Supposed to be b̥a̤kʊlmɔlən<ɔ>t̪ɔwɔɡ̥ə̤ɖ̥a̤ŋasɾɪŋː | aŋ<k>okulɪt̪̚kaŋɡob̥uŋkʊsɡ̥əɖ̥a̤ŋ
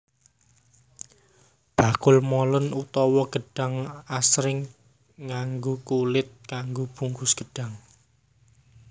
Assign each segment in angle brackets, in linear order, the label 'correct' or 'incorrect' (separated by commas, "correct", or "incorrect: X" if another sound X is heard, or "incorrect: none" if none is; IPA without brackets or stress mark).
incorrect: u, incorrect: ɡ